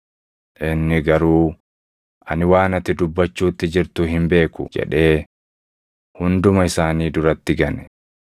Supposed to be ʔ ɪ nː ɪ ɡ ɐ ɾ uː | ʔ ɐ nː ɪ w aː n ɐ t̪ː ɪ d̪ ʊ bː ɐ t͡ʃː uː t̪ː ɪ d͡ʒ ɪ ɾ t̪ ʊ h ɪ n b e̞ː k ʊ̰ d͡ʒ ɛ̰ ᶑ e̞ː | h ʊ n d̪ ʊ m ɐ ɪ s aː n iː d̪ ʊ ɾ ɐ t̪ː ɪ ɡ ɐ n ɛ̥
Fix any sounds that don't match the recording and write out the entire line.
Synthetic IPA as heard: ʔ ɪ nː ɪ ɡ ɐ ɾ uː | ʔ ɐ n ɪ w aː n ɐ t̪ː ɪ d̪ ʊ bː ɐ t͡ʃː uː t̪ː ɪ d͡ʒ ɪ ɾ t̪ ʊ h ɪ m b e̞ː k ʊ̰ d͡ʒ ɛ̰ ᶑ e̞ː | h ʊ n d̪ ʊ m ɐ ɪ s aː n iː d̪ ʊ ɾ ɐ t̪ː ɪ ɡ ɐ n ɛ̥